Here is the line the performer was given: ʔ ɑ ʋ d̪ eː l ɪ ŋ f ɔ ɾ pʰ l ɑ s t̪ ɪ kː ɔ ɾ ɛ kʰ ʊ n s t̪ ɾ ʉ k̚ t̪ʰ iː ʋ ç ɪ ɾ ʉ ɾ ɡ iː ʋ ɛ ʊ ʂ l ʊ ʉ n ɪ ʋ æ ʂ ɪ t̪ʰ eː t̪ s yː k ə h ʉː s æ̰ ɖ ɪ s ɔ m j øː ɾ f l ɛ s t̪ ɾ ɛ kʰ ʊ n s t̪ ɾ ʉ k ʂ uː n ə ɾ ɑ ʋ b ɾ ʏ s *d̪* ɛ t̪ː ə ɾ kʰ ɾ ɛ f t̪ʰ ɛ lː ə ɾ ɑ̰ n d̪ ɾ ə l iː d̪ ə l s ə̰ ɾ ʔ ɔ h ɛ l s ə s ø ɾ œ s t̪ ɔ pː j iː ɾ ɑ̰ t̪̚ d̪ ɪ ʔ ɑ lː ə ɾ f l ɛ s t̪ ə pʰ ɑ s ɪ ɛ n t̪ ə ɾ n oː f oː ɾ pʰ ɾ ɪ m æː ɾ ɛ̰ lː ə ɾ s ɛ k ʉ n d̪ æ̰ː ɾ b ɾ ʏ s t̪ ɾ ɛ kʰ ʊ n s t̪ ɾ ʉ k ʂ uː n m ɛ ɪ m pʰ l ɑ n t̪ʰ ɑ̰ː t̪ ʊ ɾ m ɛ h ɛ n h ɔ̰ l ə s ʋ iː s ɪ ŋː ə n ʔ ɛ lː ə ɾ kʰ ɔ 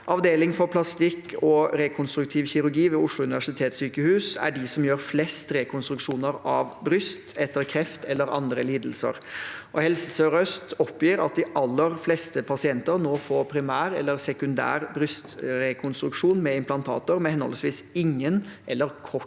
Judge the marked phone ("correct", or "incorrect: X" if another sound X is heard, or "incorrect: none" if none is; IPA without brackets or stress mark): incorrect: t̪